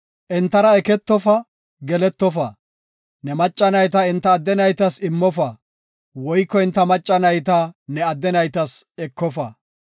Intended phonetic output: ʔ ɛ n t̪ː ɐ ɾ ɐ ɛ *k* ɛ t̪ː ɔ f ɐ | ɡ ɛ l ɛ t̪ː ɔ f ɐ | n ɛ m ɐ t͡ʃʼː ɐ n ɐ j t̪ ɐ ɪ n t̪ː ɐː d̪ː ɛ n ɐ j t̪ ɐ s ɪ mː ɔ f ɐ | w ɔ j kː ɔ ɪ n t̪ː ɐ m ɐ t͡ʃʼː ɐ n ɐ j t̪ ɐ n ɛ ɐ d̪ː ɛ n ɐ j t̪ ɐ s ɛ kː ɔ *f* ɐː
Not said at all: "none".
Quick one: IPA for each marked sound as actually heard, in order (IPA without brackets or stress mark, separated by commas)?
k, f